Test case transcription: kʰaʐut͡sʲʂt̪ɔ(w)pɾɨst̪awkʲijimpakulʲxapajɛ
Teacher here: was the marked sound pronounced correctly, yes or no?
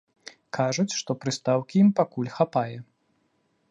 no